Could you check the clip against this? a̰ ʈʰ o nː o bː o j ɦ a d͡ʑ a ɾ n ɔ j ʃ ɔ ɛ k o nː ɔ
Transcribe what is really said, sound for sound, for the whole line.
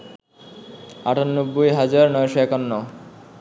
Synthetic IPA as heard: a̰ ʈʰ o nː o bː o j ɦ a d͡ʑ a ɾ n ɔ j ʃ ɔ ɛ k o nː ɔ